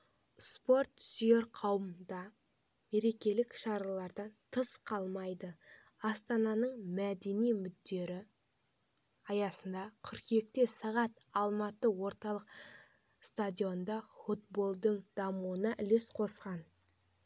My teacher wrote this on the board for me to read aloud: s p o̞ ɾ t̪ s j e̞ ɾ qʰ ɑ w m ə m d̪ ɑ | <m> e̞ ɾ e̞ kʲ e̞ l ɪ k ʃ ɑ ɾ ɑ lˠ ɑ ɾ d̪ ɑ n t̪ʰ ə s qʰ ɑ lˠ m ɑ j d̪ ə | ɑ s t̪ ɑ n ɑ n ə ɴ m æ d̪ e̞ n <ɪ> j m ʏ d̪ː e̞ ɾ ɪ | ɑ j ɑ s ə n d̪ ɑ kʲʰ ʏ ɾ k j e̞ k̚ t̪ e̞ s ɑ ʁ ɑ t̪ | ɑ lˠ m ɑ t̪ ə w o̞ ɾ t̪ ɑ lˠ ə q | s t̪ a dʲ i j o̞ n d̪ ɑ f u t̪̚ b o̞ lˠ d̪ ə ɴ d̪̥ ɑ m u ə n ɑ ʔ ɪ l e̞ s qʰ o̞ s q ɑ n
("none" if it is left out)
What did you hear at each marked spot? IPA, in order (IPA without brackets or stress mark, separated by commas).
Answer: m, i